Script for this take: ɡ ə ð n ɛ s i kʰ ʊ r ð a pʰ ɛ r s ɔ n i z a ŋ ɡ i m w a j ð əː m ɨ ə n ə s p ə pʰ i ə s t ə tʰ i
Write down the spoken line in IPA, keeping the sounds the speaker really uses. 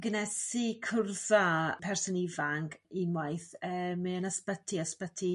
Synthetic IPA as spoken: ɡ ə n ɛ s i kʰ ʊ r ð a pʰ ɛ r s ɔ n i v a ŋ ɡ i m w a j θ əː m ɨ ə n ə s p ə tʰ i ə s p ə tʰ i